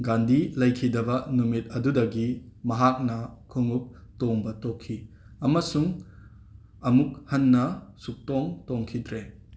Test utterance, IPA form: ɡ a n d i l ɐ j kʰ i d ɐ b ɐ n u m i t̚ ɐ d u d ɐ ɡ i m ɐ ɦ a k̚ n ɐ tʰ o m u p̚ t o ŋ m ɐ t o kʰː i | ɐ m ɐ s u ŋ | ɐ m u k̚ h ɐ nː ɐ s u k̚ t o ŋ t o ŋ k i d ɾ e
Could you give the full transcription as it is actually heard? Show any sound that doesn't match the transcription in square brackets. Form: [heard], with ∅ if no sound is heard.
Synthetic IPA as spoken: ɡ a n d i l ɐ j kʰ i d ɐ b ɐ n u m i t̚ ɐ d u d ɐ ɡ i m ɐ ɦ a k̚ n ɐ [kʰ] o [ŋ] u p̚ t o ŋ [b] ɐ t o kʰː i | ɐ m ɐ s u ŋ | ɐ m u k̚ h ɐ nː ɐ s u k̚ t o ŋ t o ŋ [kʰ] i d ɾ e